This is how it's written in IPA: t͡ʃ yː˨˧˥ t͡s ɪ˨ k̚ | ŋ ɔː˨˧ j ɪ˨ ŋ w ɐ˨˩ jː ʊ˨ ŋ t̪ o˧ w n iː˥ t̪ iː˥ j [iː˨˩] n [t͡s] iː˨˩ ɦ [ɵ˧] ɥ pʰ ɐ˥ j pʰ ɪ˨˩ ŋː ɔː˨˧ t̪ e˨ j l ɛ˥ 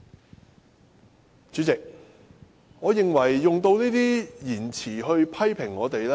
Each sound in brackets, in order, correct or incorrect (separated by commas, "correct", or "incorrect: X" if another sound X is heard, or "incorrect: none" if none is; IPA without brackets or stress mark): correct, incorrect: t͡sʰ, correct